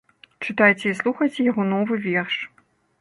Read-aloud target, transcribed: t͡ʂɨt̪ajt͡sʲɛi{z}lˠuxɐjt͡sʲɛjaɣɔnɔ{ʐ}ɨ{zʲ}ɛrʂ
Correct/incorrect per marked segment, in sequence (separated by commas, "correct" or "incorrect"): incorrect, incorrect, incorrect